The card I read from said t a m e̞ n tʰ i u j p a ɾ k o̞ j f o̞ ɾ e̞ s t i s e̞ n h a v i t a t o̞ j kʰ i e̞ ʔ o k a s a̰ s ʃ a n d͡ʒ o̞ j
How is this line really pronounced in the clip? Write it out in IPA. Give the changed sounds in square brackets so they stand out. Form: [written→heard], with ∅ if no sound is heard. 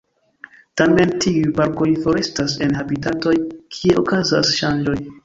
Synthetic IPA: t a m e̞ n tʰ i u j p a ɾ k o̞ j f o̞ ɾ e̞ s t [i→a] s e̞ n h a [v→b] i t a t o̞ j kʰ i e̞ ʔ o k a [s→z] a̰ s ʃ a n d͡ʒ o̞ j